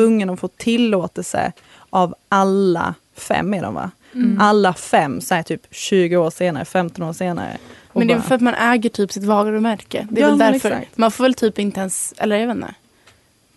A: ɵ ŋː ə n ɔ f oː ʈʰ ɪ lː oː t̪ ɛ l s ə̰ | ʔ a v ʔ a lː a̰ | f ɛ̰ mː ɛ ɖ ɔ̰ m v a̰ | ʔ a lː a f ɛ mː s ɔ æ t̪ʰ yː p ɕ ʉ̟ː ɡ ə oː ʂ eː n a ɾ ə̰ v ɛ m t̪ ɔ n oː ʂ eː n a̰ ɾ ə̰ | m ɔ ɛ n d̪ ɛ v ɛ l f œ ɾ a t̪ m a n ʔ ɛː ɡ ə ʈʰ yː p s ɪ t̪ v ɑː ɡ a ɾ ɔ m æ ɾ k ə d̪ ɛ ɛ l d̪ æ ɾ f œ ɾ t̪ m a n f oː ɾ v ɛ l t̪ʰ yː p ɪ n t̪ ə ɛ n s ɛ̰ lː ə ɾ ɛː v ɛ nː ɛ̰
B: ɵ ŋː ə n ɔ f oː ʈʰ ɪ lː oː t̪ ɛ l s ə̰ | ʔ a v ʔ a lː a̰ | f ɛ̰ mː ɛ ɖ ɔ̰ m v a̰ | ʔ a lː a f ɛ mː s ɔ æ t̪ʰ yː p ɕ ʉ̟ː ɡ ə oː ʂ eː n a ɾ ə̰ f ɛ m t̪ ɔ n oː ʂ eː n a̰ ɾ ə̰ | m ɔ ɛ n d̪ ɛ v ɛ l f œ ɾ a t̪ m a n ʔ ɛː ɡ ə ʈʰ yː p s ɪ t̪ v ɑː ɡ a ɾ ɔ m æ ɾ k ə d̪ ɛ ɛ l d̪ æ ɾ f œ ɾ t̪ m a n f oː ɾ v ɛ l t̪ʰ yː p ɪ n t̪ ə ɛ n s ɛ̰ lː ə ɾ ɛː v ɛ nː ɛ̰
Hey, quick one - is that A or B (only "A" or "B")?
B